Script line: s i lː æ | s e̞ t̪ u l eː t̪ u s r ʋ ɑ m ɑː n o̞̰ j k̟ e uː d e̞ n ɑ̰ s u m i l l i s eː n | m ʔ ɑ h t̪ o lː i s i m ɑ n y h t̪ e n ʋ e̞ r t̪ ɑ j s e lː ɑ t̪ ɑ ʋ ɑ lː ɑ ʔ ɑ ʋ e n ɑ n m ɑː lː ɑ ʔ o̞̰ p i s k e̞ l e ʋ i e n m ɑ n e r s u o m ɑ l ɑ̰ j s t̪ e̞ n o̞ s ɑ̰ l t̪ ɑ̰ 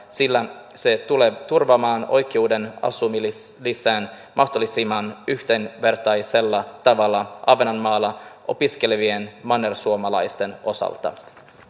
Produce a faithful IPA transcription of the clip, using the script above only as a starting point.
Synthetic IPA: s i lː æ | s e̞ t̪ u l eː t̪ u r ʋ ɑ m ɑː n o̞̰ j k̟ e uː d e̞ n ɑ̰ s u m i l l i s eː n | m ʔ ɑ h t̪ o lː i s i m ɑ n y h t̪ e n ʋ e̞ r t̪ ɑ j s e lː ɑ t̪ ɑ ʋ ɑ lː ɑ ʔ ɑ ʋ e n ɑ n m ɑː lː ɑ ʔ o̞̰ p i s k e̞ l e ʋ i e n m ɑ n e r s u o m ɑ l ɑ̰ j s t̪ e̞ n o̞ s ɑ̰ l t̪ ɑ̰